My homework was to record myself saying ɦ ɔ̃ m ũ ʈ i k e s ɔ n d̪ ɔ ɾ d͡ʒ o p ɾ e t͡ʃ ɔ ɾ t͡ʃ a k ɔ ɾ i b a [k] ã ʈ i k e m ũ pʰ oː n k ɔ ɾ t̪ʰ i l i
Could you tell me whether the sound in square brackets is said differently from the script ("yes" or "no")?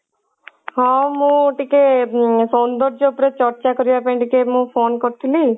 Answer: yes